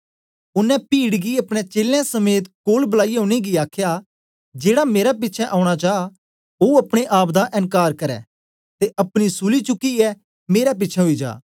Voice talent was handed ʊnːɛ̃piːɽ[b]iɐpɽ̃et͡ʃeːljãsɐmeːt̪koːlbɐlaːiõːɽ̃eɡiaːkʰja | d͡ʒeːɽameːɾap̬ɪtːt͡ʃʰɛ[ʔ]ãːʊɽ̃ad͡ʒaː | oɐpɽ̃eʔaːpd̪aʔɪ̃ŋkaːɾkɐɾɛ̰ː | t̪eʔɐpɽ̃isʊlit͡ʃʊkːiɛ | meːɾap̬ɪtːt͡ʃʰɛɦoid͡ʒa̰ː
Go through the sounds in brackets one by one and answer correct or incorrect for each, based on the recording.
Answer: incorrect: ɡ, correct

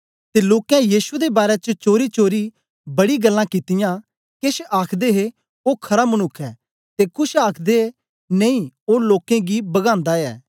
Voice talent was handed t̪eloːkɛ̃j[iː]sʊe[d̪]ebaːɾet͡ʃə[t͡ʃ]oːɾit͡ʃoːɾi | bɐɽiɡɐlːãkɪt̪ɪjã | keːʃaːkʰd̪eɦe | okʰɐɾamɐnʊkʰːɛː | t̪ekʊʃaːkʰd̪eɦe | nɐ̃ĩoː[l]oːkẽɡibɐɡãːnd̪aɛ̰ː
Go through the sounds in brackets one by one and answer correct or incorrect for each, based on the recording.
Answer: correct, correct, correct, correct

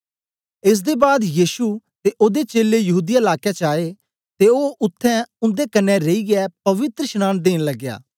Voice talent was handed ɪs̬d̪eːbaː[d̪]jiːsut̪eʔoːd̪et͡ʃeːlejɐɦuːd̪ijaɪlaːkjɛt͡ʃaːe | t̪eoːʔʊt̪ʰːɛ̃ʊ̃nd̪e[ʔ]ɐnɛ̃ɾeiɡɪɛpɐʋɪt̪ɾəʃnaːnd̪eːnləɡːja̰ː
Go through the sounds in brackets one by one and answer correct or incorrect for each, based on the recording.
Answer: correct, incorrect: k

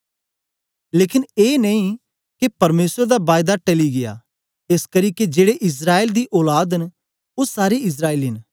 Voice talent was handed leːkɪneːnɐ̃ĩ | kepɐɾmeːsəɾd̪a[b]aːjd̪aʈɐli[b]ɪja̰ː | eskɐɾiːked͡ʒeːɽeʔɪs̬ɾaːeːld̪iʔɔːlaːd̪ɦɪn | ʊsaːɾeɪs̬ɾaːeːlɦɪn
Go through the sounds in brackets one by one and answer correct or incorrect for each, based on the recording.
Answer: correct, incorrect: ɡ

